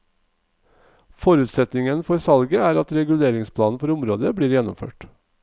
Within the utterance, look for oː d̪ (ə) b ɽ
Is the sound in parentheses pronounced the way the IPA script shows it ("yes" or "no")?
yes